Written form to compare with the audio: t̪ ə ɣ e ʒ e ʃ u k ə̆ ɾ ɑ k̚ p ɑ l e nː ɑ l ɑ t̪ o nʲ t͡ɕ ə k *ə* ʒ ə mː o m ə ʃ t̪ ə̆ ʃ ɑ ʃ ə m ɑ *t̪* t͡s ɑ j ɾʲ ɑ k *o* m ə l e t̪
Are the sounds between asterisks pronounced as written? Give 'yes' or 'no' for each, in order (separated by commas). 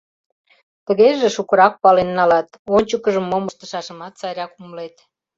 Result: yes, yes, no